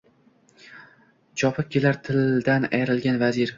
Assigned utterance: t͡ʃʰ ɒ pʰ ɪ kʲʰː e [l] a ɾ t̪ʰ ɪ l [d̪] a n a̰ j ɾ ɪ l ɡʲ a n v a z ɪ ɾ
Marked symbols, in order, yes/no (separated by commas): yes, yes